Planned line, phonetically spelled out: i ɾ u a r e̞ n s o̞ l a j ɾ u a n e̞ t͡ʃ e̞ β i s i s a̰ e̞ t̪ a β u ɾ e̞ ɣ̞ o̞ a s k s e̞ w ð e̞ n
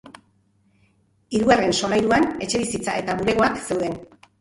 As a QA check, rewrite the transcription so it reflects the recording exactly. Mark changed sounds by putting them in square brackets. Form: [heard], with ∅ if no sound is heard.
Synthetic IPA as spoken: i ɾ u a r e̞ n s o̞ l a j ɾ u a n e̞ t͡ʃ e̞ β i s i [t͡s] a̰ e̞ t̪ a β u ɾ e̞ ɣ̞ o̞ a [∅] k s e̞ w ð e̞ n